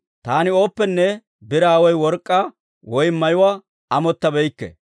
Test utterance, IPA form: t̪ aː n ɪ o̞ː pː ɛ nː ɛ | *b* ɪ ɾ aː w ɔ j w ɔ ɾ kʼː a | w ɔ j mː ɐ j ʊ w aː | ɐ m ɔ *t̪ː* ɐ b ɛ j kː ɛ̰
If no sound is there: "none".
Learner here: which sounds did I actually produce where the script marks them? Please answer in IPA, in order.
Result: b, t̪ː

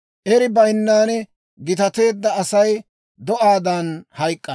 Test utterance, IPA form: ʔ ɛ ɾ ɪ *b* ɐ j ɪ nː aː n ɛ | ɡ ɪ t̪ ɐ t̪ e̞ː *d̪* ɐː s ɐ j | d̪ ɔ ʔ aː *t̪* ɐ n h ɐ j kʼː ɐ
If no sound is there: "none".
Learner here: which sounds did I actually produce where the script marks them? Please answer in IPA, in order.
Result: b, d̪ː, d̪

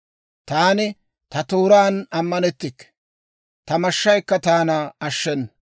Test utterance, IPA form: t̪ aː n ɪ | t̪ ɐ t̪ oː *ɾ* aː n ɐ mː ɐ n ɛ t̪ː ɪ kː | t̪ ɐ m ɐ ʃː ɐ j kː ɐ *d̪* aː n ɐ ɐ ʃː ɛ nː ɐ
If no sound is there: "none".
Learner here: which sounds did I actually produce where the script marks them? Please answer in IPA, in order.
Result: ɾ, t̪

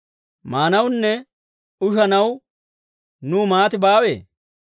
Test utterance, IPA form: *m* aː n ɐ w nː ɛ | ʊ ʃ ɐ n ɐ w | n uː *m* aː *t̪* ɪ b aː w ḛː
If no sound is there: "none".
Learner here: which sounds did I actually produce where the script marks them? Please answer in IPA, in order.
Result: m, m, t̪

